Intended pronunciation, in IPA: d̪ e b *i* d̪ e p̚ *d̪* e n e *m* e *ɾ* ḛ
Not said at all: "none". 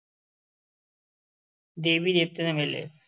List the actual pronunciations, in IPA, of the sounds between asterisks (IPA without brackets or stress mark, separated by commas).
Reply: i, t̪, m, l